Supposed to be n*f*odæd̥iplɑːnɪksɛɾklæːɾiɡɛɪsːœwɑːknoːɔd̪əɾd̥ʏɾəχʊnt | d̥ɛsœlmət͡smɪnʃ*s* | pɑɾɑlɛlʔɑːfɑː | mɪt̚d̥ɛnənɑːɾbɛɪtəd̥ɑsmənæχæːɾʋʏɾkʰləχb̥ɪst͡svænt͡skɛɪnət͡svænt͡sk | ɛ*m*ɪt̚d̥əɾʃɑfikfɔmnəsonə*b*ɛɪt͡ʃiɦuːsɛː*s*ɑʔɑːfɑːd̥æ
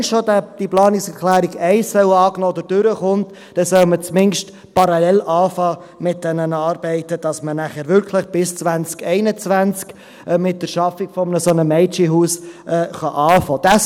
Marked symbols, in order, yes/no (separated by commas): no, no, yes, no, no